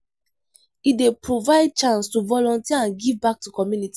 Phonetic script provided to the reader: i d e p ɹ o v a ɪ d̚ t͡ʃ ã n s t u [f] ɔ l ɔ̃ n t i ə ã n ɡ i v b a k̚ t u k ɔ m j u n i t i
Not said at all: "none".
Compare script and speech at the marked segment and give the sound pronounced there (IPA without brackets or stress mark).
v